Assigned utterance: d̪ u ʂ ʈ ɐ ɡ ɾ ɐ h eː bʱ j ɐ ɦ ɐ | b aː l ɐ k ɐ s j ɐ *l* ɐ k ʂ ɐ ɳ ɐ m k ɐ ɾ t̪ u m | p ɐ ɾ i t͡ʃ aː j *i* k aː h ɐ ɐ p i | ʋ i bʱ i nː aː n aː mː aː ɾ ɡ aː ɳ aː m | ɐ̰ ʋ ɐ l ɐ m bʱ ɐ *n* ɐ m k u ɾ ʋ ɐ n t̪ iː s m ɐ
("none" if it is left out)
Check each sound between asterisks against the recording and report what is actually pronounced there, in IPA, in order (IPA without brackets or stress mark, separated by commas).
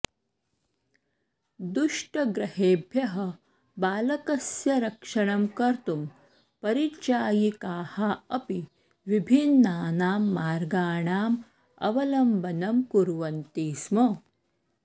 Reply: ɾ, i, n